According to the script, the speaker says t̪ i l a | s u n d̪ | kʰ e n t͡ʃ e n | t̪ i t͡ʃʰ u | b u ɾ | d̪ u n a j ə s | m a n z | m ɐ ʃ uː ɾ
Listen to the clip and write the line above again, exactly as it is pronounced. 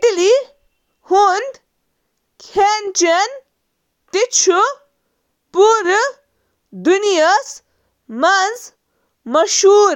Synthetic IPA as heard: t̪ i l i | h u n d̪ | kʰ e n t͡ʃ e n | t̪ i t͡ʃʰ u | p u ɾ | d̪ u n i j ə s | m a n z | m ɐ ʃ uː ɾ